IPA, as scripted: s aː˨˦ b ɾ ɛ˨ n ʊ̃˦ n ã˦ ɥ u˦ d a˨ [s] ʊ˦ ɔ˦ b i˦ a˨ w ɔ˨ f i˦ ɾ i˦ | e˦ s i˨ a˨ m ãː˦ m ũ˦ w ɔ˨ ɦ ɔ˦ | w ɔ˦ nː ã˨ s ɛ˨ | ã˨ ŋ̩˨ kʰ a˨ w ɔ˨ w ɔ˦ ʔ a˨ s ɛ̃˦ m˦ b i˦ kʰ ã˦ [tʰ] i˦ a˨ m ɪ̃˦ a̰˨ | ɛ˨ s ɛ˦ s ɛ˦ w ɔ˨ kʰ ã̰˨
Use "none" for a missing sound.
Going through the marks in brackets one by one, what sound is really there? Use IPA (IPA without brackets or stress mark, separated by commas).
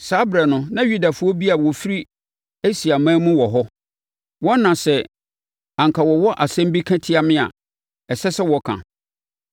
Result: f, tʰ